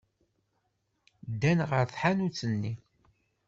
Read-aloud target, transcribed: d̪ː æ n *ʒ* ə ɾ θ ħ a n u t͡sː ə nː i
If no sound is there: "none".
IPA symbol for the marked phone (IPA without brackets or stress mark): ʁ